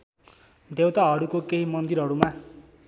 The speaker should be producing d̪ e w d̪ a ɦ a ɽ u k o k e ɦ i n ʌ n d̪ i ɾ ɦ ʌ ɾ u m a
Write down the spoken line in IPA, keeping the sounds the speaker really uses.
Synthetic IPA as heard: d̪ e w t̪ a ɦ ʌ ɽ u k o k e ɦ i m ʌ n d̪ i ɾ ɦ ʌ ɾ u m a